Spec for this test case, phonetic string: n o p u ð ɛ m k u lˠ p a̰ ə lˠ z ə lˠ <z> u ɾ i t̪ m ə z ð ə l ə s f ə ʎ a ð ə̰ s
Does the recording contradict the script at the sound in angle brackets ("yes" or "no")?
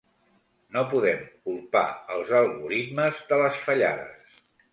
yes